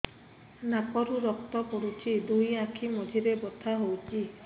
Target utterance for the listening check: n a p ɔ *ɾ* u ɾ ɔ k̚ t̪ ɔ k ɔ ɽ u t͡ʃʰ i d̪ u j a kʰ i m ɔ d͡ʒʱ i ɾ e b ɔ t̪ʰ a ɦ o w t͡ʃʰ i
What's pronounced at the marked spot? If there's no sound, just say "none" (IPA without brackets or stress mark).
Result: ɾ